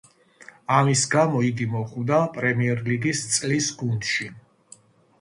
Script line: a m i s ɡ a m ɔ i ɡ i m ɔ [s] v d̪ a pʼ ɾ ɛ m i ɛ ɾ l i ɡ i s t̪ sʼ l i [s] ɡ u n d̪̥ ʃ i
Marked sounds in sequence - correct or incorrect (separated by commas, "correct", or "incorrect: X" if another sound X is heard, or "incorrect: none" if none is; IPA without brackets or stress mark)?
incorrect: χ, correct